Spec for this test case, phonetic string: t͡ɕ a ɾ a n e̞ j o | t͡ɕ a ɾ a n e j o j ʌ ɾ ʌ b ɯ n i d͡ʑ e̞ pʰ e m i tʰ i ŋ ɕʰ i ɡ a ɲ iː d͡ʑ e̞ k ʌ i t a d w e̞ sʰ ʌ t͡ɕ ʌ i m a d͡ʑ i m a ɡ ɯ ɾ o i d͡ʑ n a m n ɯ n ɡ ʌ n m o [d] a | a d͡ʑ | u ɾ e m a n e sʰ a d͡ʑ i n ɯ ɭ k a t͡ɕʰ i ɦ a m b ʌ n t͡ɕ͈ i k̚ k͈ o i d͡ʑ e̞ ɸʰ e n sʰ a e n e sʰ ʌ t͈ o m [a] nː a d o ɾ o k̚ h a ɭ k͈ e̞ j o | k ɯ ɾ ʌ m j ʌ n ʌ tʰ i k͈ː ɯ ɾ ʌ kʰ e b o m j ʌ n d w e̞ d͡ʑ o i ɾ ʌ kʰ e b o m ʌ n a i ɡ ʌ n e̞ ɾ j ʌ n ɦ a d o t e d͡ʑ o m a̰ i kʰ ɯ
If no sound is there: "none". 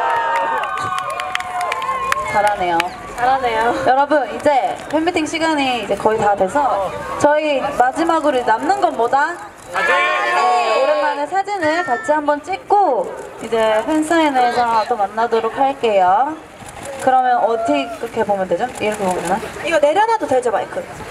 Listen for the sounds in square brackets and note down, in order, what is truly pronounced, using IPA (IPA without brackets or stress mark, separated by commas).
d, a